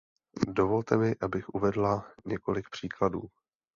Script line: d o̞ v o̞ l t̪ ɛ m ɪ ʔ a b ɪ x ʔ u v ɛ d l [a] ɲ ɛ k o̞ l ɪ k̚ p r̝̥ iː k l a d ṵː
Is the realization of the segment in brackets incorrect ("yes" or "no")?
no